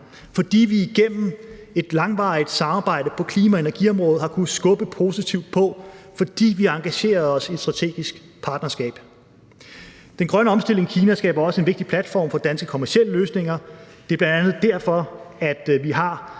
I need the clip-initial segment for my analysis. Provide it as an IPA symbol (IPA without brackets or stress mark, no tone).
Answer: f